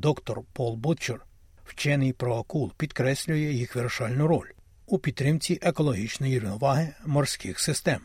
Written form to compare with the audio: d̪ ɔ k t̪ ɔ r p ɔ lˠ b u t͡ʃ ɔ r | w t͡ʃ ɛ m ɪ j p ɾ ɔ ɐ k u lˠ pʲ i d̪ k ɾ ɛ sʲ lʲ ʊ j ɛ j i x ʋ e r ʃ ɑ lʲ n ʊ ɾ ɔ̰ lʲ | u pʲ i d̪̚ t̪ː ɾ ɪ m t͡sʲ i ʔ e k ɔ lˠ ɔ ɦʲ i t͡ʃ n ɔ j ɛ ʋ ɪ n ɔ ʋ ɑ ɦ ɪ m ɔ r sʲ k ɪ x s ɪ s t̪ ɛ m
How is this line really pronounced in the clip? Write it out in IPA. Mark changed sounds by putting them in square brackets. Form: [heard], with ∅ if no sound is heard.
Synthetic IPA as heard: d̪ ɔ k t̪ ɔ r p ɔ lˠ b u t͡ʃ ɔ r | w t͡ʃ ɛ [n] ɪ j p ɾ ɔ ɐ k u lˠ pʲ i d̪ k ɾ ɛ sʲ lʲ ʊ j ɛ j i x ʋ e r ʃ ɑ lʲ n ʊ ɾ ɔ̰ lʲ | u pʲ i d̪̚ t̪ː ɾ ɪ m t͡sʲ i ʔ e k ɔ lˠ ɔ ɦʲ i t͡ʃ n ɔ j [i] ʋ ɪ n ɔ ʋ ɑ ɦ ɪ m ɔ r sʲ k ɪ x s ɪ s t̪ ɛ m